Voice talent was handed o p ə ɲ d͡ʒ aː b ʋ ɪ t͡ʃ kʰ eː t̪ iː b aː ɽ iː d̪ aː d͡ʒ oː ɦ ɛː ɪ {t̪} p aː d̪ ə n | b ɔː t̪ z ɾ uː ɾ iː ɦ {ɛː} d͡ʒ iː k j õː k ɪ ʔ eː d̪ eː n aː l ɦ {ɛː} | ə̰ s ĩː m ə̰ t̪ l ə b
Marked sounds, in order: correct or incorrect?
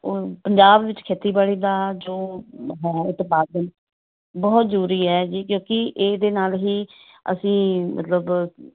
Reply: correct, correct, incorrect

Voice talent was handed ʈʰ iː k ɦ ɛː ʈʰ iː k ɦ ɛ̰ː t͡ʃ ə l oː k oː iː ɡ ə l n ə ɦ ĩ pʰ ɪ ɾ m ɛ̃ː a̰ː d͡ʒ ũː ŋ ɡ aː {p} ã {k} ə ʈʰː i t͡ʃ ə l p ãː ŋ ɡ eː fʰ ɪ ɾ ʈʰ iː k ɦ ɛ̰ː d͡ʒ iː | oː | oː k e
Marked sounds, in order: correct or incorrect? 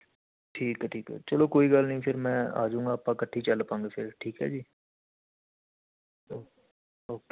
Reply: correct, correct

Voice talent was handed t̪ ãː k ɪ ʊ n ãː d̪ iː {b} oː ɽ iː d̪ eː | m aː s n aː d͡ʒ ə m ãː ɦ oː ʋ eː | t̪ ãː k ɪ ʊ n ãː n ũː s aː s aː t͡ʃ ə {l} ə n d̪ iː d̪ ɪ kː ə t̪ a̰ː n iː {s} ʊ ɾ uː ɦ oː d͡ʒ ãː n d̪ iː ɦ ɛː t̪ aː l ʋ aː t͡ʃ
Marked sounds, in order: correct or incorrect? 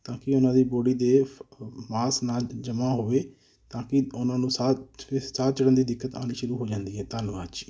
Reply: correct, incorrect, incorrect

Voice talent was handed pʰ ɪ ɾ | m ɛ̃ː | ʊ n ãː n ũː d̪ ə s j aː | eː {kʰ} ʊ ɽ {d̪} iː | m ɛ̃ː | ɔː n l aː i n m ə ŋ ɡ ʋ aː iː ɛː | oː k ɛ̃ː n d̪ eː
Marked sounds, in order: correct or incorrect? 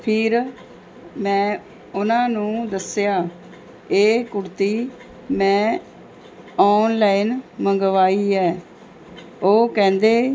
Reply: incorrect, incorrect

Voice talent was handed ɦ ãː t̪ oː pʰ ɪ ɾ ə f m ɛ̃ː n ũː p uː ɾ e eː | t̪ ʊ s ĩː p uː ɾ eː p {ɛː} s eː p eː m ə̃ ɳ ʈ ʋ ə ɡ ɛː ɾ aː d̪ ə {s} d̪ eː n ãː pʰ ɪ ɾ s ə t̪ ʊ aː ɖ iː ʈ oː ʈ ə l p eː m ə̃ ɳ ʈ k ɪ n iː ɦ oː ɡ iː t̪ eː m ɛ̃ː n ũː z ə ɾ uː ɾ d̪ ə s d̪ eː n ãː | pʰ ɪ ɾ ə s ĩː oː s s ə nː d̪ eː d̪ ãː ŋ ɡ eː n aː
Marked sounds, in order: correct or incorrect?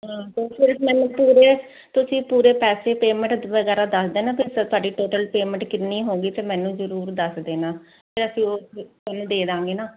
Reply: correct, correct

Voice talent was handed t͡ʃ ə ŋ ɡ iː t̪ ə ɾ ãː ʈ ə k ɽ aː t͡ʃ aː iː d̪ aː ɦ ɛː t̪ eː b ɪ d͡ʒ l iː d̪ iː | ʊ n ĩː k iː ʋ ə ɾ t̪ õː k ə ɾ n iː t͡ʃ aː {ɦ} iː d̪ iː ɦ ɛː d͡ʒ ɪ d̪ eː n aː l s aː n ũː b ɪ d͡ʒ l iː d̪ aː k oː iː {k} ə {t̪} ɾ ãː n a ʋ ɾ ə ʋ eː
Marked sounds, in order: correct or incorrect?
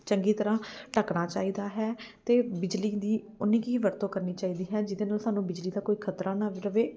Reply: incorrect, incorrect, correct

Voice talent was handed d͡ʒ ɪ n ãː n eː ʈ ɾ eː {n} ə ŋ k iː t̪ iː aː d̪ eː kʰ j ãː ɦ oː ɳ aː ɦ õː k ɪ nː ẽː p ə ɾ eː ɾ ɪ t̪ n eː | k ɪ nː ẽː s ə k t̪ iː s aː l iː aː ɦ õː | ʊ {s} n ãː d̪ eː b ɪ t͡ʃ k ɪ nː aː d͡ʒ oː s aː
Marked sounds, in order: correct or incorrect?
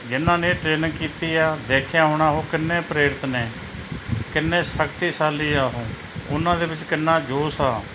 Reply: correct, incorrect

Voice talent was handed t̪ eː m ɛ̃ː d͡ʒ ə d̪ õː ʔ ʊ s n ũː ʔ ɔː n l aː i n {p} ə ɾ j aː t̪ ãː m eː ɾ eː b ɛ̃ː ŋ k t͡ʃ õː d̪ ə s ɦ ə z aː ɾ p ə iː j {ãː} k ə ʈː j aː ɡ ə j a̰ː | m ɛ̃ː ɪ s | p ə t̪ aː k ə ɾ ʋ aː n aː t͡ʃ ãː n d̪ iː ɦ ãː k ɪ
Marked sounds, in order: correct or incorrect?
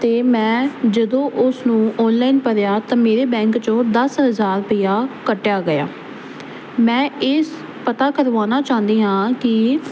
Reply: correct, incorrect

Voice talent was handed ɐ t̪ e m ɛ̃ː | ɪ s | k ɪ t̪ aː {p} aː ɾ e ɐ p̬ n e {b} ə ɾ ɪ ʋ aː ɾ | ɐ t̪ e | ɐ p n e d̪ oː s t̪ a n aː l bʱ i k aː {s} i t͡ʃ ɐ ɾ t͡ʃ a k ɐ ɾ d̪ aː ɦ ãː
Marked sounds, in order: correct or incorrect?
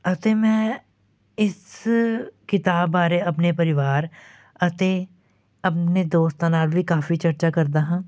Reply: incorrect, incorrect, incorrect

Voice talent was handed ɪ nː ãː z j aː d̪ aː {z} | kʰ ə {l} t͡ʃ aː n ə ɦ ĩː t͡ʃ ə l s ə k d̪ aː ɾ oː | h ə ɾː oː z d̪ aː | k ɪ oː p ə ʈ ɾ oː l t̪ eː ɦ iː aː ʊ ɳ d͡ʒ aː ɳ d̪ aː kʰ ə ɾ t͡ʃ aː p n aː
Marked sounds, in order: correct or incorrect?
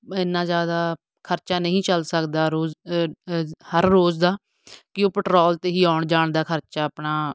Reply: incorrect, incorrect

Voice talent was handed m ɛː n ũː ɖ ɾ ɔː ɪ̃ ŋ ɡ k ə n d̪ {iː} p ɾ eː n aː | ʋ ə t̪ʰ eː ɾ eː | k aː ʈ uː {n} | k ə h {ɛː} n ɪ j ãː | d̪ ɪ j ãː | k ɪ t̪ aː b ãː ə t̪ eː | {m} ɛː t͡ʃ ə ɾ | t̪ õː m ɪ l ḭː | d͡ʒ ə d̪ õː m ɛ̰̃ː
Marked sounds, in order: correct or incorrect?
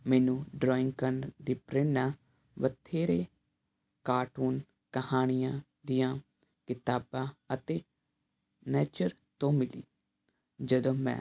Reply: correct, correct, incorrect, incorrect

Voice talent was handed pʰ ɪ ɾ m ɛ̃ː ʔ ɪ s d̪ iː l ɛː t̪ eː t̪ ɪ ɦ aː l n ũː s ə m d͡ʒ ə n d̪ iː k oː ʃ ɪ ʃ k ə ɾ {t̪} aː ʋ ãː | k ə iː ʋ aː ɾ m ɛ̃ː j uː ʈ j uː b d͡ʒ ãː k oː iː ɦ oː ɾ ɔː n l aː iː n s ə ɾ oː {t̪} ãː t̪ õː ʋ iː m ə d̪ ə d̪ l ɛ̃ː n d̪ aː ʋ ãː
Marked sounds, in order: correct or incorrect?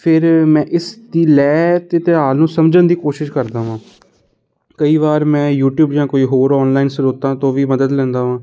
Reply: incorrect, correct

